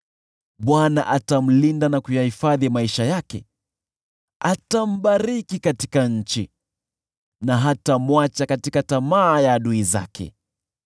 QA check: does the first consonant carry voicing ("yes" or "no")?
yes